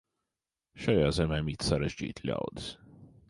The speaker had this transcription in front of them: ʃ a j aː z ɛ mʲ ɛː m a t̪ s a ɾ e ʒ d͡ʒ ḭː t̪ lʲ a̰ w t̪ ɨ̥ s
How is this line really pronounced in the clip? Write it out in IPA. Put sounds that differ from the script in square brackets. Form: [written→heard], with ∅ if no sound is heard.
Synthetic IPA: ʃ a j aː z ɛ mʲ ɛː m [a→i] t̪ s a ɾ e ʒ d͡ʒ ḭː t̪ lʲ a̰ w [t̪→d̪] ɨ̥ s